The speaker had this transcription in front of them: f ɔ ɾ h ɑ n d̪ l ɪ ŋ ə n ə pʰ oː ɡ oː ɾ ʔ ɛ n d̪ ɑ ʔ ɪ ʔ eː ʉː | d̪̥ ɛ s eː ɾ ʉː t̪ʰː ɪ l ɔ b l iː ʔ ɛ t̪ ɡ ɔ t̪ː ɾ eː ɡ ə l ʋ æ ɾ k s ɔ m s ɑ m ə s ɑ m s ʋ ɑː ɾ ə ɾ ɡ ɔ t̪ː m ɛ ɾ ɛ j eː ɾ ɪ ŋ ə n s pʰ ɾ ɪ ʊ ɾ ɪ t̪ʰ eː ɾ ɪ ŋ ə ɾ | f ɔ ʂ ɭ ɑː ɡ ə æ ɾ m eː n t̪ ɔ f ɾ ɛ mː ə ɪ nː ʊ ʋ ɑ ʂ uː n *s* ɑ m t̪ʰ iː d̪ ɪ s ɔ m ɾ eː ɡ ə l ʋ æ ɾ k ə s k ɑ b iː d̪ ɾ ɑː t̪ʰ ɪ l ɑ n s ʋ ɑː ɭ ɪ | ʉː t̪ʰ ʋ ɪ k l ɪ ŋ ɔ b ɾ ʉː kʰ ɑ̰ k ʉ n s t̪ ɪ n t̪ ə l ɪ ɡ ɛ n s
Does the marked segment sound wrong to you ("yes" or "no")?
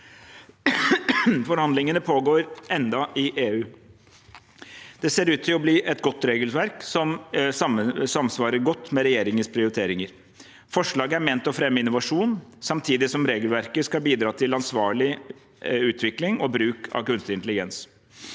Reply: no